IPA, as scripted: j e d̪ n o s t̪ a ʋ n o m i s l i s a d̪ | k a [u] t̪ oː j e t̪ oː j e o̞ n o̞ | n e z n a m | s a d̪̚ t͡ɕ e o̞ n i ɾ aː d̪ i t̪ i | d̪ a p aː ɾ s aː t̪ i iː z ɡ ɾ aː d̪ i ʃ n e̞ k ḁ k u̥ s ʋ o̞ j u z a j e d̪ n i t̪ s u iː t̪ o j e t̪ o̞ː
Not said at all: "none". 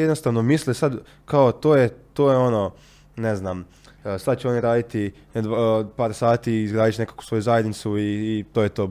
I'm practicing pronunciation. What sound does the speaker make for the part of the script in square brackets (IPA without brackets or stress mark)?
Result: o